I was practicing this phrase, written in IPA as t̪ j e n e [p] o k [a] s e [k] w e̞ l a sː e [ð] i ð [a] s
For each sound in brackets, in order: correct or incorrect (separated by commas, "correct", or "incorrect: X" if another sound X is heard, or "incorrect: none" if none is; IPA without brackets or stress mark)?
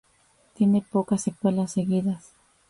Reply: correct, correct, correct, incorrect: ɣ, correct